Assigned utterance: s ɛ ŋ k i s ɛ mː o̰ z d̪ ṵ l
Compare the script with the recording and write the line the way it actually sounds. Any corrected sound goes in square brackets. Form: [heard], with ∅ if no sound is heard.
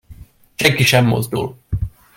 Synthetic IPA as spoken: [ʃ] ɛ ŋ k i [ʃ] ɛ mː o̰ z d̪ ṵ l